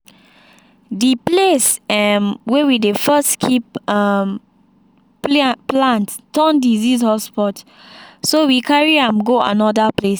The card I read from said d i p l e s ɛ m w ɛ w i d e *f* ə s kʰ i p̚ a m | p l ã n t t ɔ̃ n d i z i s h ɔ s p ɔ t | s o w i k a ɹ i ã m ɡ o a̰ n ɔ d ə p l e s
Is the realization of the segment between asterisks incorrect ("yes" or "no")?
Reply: no